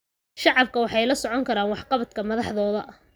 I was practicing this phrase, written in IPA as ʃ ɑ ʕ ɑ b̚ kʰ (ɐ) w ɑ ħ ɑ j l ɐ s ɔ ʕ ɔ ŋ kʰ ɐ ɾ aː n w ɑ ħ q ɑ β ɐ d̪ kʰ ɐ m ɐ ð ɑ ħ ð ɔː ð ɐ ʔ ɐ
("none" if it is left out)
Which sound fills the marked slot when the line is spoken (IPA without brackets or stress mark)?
ɐ